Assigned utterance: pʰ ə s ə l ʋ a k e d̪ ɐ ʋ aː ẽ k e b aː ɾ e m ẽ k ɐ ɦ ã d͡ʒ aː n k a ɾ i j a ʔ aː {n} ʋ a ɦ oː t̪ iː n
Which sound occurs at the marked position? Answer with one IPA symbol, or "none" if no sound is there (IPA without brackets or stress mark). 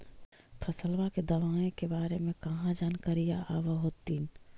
none